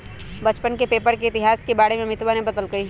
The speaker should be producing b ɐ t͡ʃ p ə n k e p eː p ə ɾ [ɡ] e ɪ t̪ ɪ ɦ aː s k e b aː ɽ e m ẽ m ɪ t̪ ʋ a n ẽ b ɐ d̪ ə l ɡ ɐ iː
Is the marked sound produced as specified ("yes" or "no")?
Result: no